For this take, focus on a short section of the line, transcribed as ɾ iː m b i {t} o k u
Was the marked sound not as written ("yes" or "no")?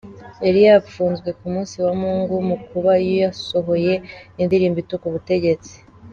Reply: no